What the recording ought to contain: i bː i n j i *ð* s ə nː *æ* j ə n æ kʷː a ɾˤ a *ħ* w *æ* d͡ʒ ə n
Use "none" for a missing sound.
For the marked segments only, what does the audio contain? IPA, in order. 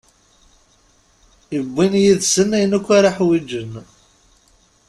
ð, æ, ħ, i

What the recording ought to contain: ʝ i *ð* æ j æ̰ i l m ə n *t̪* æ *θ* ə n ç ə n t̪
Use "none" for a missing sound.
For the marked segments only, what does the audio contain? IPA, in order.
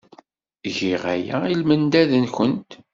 ʁ, d̪, ð

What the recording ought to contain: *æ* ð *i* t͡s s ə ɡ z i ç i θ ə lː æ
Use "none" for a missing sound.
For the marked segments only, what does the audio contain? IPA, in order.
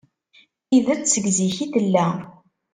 i, æ

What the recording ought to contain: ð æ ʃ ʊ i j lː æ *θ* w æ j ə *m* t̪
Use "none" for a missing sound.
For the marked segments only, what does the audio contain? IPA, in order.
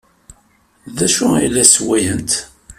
s, n

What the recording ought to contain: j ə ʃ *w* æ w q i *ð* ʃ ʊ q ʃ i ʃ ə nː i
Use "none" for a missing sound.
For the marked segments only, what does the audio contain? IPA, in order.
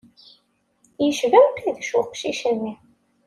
v, ð

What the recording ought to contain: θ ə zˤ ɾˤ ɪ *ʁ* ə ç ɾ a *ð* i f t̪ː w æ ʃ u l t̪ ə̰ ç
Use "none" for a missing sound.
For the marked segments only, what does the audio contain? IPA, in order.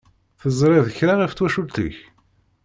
ð, ʁ

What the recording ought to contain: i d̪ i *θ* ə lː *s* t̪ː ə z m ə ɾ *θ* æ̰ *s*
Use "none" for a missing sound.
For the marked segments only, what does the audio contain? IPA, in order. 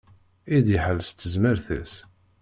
ħ, s, θ, s

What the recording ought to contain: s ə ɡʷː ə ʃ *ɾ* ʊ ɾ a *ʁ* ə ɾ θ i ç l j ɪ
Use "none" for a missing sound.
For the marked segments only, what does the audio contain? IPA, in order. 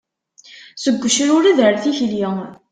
ɾ, ð

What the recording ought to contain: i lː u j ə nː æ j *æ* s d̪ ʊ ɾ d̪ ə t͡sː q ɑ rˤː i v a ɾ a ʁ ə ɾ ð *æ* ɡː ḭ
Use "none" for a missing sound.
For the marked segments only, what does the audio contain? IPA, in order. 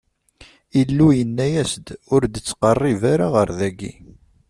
æ, æ

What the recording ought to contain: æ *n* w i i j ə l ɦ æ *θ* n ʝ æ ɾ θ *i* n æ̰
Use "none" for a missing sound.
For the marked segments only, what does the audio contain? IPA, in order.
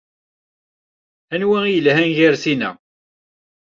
n, none, i

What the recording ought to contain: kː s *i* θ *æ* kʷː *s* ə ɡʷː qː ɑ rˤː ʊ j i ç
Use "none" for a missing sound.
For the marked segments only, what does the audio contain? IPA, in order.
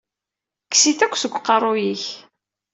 i, æ, s

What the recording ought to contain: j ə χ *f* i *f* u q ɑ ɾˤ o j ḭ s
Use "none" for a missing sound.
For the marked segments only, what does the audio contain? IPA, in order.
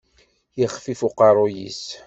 f, f

